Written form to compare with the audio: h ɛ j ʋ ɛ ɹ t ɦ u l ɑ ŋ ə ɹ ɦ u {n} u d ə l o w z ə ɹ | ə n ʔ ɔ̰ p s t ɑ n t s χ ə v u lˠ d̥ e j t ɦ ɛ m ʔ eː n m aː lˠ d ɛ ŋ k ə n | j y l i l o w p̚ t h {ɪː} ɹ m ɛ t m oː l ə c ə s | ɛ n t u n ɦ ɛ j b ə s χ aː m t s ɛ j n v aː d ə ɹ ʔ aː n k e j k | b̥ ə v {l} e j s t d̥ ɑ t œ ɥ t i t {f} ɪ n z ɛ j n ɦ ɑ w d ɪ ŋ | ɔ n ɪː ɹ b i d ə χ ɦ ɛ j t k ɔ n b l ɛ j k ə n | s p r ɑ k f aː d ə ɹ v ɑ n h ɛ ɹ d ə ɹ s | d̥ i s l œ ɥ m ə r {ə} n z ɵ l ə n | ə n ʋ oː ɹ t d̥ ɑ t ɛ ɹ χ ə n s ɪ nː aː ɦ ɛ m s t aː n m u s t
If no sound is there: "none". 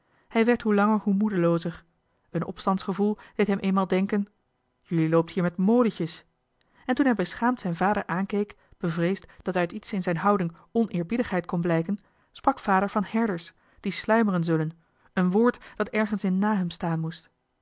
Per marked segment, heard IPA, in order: m, iː, r, s, ə

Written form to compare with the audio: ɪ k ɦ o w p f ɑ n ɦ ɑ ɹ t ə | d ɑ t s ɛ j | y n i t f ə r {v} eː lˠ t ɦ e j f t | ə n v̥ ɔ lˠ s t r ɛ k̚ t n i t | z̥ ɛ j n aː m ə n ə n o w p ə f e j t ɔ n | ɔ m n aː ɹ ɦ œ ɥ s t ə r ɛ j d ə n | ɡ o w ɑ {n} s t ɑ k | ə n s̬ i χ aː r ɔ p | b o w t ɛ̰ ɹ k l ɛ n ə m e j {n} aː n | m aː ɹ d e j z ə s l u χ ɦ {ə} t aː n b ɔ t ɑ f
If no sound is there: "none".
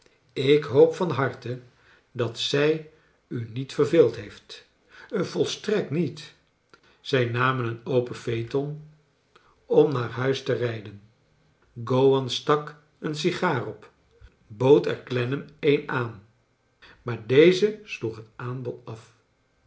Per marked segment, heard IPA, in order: v, n, n, ə

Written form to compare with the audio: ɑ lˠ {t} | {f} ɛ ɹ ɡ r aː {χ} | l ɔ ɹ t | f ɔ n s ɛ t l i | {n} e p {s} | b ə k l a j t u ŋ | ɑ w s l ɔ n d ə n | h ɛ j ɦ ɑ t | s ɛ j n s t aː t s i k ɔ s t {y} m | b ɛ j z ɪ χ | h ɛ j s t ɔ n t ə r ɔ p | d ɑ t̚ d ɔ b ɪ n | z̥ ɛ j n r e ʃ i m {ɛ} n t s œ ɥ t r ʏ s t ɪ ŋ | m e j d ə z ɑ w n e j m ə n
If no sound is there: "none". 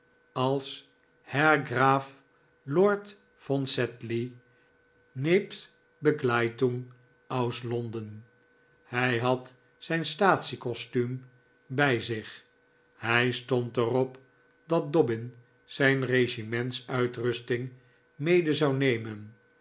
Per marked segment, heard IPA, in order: s, h, f, n, s, y, ɛ

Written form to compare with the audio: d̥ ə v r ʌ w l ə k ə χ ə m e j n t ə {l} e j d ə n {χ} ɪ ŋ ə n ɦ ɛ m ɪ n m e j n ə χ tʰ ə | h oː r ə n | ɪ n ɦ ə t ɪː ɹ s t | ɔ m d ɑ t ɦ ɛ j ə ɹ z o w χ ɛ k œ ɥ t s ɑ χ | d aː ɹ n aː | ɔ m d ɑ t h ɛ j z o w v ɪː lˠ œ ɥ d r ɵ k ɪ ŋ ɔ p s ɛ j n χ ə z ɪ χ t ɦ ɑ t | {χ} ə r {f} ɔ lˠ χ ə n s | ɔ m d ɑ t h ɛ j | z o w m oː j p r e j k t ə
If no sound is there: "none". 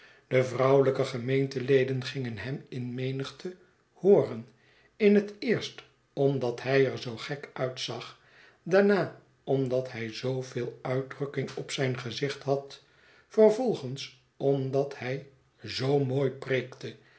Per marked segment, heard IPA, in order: l, χ, f, v

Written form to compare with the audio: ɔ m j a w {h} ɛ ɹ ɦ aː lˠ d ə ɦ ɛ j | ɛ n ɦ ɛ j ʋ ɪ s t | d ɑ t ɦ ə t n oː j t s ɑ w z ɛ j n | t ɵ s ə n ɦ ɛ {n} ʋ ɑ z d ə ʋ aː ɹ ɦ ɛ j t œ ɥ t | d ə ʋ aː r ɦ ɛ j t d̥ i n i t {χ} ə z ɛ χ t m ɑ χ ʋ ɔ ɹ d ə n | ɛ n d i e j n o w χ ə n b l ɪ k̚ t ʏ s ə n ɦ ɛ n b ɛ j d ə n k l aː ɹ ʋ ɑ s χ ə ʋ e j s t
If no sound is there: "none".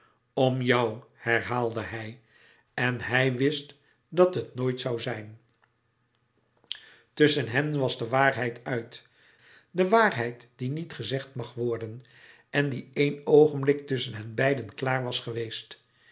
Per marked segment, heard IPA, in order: h, n, χ

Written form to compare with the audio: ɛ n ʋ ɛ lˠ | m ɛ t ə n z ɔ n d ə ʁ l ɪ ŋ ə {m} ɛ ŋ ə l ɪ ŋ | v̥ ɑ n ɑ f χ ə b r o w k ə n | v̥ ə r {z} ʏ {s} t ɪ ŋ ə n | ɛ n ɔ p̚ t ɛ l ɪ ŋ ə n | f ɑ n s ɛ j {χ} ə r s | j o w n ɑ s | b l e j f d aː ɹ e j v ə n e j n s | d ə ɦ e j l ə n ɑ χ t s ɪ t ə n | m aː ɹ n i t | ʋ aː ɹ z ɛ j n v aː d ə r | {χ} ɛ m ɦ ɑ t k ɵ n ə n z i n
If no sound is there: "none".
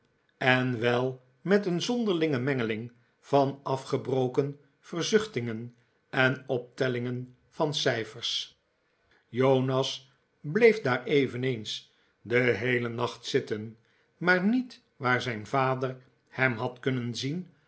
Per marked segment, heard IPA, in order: m, z, χ, f, h

